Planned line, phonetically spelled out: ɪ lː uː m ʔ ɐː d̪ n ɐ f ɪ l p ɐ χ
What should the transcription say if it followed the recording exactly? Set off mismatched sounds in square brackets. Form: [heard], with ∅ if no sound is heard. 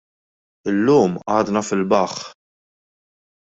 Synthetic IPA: ɪ lː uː m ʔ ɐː d̪ n ɐ f ɪ l [b] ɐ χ